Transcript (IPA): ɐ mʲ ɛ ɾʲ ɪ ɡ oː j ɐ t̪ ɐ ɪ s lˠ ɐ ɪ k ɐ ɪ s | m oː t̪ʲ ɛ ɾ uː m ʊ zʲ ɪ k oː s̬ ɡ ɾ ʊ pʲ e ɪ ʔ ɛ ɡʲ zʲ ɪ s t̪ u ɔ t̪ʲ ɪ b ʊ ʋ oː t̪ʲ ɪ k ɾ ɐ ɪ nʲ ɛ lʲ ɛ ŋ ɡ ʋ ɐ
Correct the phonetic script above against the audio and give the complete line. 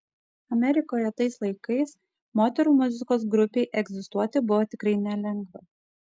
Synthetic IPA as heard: ɐ mʲ ɛ ɾʲ ɪ k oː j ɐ t̪ ɐ ɪ s lˠ ɐ ɪ k ɐ ɪ s | m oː t̪ʲ ɛ ɾ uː m ʊ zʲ ɪ k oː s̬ ɡ ɾ ʊ pʲ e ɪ ʔ ɛ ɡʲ zʲ ɪ s t̪ u ɔ t̪ʲ ɪ b ʊ ʋ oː t̪ʲ ɪ k ɾ ɐ ɪ nʲ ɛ lʲ ɛ ŋ ɡ ʋ ɐ